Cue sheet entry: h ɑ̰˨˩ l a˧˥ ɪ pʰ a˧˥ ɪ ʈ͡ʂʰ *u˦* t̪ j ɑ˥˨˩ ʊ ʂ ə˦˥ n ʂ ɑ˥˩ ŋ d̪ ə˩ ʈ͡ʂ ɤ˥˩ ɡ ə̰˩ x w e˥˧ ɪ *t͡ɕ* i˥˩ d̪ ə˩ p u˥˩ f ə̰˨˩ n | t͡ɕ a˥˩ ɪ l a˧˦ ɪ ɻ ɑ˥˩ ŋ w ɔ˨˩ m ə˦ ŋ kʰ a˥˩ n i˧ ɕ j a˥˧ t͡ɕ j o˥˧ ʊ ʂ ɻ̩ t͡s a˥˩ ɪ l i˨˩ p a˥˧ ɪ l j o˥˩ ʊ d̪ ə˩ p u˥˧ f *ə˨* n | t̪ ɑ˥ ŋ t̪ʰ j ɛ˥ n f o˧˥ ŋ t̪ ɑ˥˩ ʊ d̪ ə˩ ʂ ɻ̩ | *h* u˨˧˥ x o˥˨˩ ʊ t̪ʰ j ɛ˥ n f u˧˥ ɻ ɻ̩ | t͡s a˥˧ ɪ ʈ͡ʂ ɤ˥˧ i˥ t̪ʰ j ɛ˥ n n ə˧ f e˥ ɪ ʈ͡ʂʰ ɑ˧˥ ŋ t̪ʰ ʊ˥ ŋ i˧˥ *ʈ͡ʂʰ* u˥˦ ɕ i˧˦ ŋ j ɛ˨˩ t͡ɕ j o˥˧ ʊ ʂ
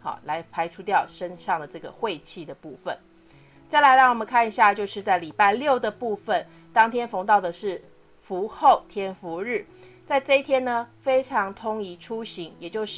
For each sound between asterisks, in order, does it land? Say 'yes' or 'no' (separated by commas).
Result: yes, no, yes, no, yes